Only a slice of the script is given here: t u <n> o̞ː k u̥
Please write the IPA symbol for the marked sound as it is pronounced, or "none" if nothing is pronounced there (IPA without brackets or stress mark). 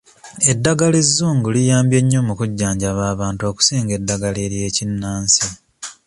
none